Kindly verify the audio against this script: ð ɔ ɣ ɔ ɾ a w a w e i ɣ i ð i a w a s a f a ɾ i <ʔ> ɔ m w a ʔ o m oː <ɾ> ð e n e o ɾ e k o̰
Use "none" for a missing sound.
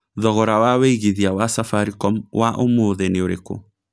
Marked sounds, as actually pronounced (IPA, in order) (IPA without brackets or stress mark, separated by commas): k, none